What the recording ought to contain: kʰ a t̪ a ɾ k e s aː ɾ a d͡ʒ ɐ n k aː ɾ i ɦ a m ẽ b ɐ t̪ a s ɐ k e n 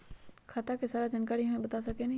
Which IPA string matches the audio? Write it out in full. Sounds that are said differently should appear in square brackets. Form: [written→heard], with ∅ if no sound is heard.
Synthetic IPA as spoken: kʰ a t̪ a [ɾ→∅] k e s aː ɾ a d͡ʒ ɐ n k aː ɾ i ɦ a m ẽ b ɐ t̪ a s ɐ k e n